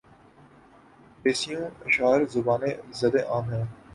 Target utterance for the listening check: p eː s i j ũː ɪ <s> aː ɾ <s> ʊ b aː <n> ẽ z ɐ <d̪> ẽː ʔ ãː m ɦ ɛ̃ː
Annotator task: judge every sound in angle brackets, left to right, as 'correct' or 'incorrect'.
incorrect, incorrect, correct, correct

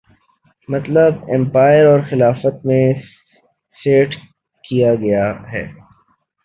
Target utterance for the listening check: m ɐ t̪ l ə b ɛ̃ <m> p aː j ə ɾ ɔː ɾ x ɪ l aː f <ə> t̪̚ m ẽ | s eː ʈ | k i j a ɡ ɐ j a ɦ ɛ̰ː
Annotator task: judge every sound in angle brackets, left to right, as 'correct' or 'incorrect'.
correct, correct

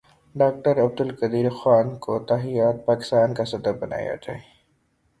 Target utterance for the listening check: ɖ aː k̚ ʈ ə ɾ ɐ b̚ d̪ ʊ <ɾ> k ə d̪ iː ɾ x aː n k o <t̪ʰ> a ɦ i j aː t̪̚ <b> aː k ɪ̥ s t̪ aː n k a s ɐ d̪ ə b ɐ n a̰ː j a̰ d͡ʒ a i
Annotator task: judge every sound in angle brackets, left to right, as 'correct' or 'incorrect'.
incorrect, incorrect, incorrect

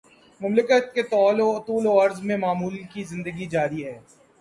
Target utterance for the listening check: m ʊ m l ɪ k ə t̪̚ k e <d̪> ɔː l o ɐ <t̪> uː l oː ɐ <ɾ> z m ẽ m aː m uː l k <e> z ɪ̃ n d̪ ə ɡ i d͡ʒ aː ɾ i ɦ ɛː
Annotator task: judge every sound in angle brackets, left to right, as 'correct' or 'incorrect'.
incorrect, correct, correct, incorrect

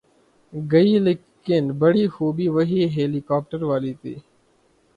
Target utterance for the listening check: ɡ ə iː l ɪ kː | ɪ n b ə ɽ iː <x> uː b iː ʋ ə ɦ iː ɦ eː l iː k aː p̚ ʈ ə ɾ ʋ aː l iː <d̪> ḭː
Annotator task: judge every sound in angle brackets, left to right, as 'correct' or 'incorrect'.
correct, incorrect

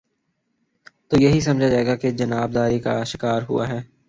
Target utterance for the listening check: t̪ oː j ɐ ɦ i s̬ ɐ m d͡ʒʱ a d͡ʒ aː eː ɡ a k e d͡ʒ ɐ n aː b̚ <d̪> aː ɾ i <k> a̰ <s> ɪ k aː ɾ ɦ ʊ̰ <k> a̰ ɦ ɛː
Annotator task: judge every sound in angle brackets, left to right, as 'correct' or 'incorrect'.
correct, correct, incorrect, incorrect

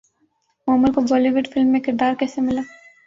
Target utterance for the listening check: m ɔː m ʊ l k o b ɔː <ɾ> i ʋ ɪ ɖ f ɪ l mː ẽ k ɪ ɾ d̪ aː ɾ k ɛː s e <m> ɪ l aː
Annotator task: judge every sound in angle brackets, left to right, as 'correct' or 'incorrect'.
incorrect, correct

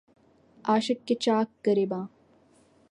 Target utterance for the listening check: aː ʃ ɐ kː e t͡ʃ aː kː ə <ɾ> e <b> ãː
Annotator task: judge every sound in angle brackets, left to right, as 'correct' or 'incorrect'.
correct, correct

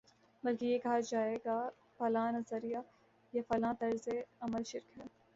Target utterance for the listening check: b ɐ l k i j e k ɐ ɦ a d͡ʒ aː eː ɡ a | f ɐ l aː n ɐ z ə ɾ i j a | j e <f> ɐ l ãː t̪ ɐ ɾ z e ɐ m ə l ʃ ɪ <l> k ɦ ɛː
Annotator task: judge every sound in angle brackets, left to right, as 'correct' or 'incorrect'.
correct, incorrect

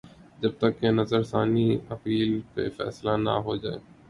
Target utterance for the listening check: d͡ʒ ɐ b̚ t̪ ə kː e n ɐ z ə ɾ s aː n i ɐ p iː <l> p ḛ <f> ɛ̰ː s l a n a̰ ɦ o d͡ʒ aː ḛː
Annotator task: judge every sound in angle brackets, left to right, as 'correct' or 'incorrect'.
correct, correct

